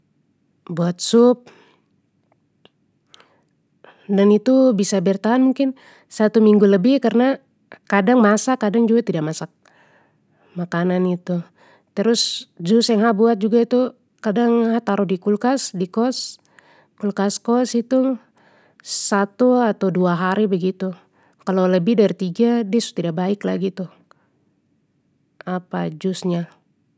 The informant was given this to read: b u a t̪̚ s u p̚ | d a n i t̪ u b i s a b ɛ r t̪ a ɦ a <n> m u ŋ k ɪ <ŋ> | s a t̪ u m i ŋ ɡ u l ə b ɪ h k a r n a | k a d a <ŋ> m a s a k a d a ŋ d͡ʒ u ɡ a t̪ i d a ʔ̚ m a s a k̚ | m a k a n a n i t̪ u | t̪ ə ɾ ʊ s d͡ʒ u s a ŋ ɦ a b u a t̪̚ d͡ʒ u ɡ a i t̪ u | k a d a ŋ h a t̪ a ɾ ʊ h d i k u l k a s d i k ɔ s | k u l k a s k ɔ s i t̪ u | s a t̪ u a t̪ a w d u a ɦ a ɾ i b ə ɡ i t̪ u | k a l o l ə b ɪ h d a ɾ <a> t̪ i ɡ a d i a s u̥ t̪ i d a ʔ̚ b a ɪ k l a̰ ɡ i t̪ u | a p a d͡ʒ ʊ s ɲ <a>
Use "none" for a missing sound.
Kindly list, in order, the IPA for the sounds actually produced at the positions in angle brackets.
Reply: n, n, ŋ, i, a

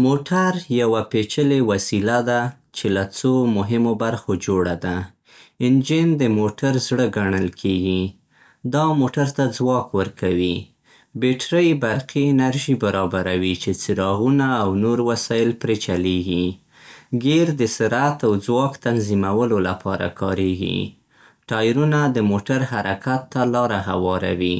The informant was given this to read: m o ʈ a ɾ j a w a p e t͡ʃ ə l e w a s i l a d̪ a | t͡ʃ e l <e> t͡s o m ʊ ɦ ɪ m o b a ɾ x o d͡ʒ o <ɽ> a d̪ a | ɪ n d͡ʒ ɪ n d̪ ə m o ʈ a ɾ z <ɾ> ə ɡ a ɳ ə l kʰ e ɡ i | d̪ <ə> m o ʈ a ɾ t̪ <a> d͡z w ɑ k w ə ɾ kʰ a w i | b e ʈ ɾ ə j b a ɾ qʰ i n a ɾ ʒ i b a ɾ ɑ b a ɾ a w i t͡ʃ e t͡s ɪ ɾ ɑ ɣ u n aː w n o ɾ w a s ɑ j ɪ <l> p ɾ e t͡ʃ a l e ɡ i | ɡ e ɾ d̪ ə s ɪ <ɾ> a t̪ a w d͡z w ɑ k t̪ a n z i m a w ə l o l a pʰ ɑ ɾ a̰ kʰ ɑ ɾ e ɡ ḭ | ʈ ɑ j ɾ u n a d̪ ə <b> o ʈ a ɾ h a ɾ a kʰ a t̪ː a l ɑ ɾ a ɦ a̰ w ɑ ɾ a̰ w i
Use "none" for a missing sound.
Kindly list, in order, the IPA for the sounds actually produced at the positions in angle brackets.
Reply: a, ɽ, ɽ, ɑ, a, l, ɾ, m

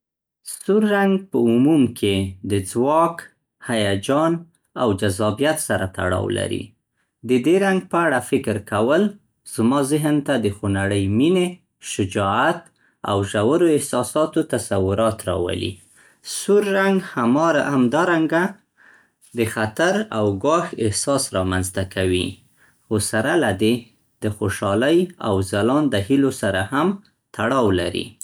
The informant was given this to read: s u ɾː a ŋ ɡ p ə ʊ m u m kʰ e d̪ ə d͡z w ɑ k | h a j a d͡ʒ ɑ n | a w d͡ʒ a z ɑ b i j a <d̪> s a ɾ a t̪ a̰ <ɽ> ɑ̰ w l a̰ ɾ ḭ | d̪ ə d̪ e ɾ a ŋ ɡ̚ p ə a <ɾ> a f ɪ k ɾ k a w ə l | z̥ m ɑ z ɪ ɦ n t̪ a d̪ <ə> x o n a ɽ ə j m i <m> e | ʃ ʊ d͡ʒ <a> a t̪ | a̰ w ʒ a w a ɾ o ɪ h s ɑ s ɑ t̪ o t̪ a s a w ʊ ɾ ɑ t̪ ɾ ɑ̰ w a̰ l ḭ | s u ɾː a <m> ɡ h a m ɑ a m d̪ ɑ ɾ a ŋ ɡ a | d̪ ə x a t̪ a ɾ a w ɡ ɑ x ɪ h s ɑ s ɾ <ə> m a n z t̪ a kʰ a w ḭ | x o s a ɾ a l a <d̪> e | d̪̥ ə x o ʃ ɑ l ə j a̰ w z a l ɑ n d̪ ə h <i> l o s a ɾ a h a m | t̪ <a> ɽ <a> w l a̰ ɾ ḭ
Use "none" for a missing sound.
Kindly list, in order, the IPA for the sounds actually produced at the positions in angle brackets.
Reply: t̪, ɽ, ɽ, ə, n, ɑ, ŋ, ɑ, d̪, i, a, ɑ

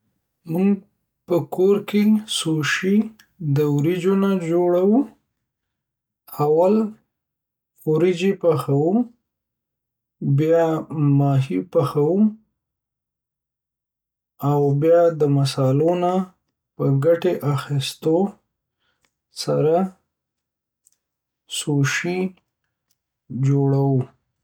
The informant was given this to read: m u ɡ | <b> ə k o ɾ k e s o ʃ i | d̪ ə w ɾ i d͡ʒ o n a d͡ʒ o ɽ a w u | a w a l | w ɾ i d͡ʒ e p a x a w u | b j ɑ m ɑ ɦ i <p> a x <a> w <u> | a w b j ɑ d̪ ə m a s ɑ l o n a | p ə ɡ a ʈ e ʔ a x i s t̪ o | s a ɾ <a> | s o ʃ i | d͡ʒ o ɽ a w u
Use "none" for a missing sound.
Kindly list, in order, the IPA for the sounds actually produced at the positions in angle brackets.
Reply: p, p, a, u, a

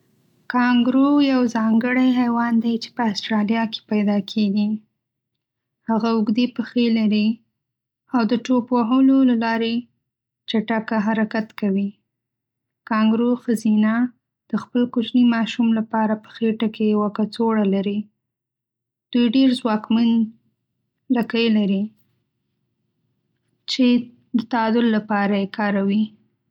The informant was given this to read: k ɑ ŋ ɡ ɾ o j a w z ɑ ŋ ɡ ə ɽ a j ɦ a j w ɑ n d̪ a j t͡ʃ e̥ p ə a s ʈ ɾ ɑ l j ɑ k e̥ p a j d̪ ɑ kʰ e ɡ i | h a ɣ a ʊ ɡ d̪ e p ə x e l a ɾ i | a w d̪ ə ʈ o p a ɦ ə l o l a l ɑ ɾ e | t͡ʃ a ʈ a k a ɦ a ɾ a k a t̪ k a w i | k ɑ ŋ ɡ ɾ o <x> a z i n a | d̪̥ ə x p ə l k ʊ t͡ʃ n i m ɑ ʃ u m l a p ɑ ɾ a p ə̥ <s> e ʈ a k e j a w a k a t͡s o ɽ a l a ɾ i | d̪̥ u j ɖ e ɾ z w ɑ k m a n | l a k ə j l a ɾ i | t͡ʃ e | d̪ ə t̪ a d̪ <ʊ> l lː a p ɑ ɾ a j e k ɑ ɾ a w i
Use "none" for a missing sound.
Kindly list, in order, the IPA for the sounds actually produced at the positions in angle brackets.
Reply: x, x, ʊ

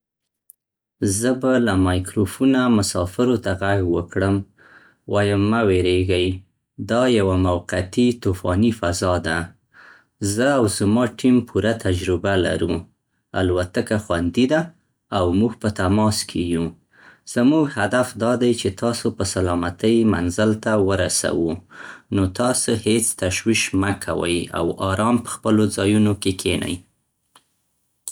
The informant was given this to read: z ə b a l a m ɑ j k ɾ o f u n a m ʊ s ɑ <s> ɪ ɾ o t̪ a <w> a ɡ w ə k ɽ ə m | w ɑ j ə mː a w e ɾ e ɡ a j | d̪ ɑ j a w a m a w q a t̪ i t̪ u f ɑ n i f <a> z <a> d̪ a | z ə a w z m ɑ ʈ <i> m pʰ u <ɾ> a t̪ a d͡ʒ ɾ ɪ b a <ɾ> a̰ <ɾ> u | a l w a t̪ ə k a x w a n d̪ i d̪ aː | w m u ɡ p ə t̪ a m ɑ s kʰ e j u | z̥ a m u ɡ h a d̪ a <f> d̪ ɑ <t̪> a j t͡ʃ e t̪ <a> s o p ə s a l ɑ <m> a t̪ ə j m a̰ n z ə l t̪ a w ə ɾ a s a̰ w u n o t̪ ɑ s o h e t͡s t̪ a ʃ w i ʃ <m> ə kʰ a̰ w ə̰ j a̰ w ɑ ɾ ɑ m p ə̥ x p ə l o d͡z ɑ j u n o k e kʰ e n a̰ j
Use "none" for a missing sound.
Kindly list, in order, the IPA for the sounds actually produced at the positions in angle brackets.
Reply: f, ɣ, a, ɑ, i, ɾ, l, ɾ, f, d̪, ɑ, m, m

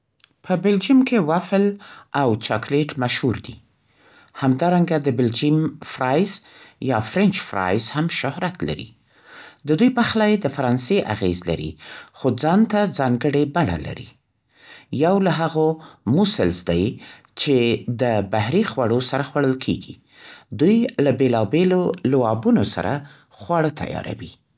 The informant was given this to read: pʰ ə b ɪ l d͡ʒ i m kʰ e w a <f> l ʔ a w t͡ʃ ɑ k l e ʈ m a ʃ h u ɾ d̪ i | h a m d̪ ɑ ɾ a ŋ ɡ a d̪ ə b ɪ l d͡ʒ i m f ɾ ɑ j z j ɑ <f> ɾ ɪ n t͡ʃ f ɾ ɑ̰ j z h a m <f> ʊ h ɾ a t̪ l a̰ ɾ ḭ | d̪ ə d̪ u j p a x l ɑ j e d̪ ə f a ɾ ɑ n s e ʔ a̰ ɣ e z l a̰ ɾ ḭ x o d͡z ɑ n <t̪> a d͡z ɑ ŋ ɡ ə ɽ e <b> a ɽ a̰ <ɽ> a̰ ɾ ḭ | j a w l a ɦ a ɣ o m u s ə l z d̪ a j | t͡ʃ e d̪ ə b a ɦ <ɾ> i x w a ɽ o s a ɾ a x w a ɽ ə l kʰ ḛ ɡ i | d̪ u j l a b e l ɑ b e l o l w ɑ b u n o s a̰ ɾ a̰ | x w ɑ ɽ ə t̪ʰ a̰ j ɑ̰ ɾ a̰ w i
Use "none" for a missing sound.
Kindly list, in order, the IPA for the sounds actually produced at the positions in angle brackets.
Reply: f, f, ʃ, t̪, b, l, ɾ

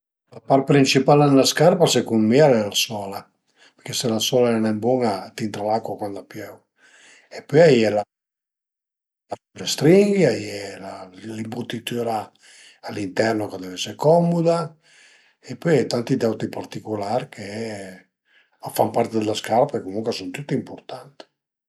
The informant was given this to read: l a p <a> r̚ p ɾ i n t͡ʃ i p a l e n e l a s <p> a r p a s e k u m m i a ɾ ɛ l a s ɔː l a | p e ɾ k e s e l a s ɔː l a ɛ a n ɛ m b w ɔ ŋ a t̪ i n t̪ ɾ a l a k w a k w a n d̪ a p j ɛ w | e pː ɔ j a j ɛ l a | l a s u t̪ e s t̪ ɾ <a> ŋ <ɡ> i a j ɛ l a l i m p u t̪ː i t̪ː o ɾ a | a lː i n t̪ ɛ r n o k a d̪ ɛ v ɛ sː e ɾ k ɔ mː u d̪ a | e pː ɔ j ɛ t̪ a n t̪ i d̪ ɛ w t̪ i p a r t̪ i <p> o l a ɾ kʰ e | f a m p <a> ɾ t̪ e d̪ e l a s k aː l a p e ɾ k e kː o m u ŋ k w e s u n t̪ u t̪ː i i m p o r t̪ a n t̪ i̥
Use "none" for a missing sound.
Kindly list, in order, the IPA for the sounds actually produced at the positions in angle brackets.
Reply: a, k, i, ɡ, k, a

